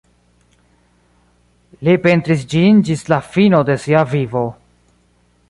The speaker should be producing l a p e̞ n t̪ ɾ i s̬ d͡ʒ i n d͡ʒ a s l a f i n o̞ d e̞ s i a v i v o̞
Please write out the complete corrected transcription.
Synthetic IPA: l i p e̞ n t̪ ɾ i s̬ d͡ʒ i n d͡ʒ i s l a f i n o̞ d e̞ s i a v i v o̞